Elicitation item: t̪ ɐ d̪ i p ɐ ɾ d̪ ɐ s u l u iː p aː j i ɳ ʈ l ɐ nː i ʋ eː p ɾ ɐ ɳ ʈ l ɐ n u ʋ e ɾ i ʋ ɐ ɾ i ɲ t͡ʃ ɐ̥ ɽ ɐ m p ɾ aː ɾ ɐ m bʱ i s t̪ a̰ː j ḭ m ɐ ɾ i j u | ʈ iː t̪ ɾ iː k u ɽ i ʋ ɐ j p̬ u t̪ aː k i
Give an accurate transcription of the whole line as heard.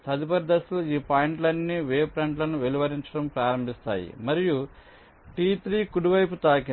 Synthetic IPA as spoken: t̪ ɐ d̪ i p ɐ ɾ d̪ ɐ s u l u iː p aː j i ɳ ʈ l ɐ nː i ʋ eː p ɾ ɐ ɳ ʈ l ɐ n u ʋ e l i ʋ ɐ ɾ i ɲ t͡ʃ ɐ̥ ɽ ɐ m p ɾ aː ɾ ɐ m bʱ i s t̪ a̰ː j ḭ m ɐ ɾ i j u | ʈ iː t̪ ɾ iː k u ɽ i ʋ ɐ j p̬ u t̪ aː k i